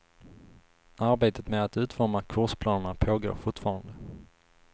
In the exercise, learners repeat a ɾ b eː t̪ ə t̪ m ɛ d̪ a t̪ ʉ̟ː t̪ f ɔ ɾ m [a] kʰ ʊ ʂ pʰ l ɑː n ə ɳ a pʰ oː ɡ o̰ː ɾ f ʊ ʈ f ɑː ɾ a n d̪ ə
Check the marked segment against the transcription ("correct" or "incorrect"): correct